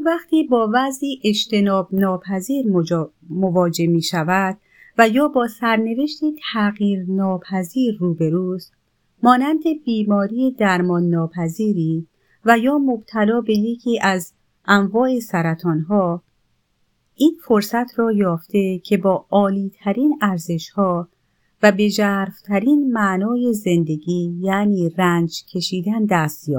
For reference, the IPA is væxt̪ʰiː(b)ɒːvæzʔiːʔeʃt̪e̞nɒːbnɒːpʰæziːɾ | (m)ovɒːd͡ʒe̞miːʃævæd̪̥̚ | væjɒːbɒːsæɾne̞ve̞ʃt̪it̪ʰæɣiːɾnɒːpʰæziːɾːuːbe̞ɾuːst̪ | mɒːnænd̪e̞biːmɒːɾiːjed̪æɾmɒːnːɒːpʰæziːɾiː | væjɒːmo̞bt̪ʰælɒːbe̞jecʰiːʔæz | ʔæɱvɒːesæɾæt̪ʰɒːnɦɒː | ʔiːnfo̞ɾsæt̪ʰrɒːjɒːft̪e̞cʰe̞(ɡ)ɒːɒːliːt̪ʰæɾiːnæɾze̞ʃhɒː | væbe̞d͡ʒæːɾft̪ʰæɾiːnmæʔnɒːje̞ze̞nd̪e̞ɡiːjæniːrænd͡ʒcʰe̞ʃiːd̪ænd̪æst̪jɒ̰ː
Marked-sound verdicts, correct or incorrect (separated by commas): correct, correct, incorrect